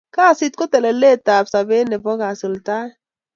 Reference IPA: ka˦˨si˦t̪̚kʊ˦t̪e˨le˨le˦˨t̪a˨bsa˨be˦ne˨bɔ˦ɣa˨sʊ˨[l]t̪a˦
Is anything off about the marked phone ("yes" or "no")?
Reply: no